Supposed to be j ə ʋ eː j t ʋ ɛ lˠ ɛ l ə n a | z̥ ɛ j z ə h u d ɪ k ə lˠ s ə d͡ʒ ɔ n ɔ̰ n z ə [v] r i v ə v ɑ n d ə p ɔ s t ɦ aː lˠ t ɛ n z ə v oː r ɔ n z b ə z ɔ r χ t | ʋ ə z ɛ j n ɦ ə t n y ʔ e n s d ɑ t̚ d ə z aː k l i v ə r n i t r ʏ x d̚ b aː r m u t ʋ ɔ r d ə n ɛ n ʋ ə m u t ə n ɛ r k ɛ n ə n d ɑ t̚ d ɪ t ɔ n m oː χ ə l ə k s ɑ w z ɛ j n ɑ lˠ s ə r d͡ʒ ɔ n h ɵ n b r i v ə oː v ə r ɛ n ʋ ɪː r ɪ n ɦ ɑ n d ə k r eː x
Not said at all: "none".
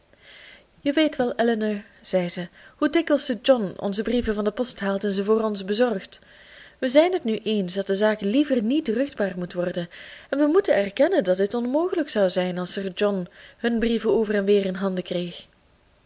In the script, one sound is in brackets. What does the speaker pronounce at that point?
b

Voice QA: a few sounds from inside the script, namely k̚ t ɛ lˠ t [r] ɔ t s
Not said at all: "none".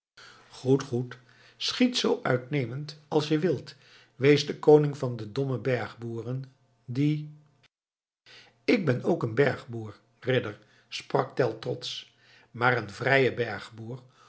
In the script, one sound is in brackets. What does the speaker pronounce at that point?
r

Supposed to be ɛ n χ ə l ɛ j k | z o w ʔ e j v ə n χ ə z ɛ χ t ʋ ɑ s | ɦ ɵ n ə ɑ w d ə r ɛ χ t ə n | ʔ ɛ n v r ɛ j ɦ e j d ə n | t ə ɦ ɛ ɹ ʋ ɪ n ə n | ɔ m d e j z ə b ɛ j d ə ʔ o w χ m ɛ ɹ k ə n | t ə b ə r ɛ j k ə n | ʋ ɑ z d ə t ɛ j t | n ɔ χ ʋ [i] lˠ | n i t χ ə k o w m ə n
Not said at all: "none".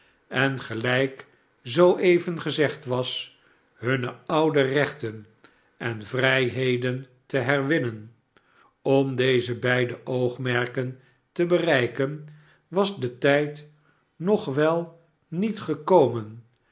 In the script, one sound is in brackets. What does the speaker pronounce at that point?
ɛ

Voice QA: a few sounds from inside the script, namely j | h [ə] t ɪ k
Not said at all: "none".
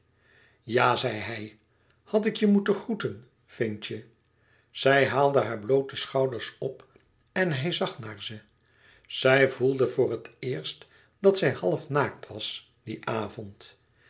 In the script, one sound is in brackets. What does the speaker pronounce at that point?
ɑ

